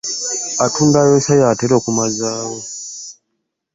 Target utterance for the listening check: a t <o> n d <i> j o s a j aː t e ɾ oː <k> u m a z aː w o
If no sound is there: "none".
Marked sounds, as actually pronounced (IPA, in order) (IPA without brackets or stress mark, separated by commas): u, a, k